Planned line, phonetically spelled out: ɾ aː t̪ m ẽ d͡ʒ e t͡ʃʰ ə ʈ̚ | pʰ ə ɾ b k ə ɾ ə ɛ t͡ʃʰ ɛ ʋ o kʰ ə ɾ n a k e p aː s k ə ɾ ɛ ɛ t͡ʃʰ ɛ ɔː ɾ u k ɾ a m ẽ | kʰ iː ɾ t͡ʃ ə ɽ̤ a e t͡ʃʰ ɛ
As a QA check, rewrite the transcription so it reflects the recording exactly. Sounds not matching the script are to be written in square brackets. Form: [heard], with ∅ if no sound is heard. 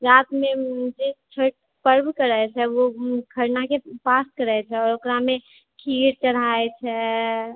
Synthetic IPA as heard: ɾ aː t̪ m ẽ d͡ʒ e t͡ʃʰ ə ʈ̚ | [p] ə ɾ b k ə ɾ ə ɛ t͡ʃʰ ɛ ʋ o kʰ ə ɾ n a k e p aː s k ə ɾ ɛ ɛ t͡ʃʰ ɛ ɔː ɾ [o] k ɾ a m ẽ | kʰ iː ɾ t͡ʃ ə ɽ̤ a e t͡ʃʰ ɛ